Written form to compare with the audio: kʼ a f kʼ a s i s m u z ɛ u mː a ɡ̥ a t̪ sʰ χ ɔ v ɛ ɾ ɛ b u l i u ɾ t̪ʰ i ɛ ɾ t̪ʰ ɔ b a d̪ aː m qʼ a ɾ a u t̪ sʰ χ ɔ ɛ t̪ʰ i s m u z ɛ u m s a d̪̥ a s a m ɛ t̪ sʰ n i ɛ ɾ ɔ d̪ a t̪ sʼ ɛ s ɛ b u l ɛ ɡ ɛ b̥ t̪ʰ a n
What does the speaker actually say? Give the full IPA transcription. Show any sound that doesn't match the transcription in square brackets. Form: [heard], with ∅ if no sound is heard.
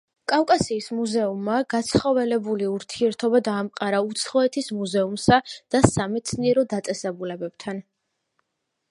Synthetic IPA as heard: kʼ a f kʼ a s [iː] s m u z ɛ u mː a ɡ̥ a t̪ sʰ χ ɔ v ɛ [l] ɛ b u l i u ɾ t̪ʰ i ɛ ɾ t̪ʰ ɔ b a d̪ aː m qʼ a ɾ a u t̪ sʰ χ ɔ ɛ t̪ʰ i s m u z ɛ u m s a d̪̥ a s a m ɛ t̪ sʰ n i ɛ ɾ ɔ d̪ a t̪ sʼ ɛ s ɛ b u l ɛ [b] ɛ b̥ t̪ʰ a n